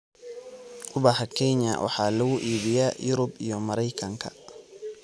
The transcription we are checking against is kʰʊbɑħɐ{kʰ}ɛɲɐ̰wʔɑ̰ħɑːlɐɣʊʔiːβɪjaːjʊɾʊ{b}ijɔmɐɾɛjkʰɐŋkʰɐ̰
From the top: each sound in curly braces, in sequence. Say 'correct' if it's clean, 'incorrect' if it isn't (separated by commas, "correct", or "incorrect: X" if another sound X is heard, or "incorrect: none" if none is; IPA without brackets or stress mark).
correct, correct